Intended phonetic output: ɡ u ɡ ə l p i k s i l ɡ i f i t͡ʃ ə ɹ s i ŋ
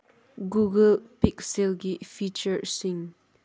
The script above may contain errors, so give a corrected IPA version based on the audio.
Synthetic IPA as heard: ɡ u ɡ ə l p i k s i l ɡ i f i t͡ʃ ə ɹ s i ŋ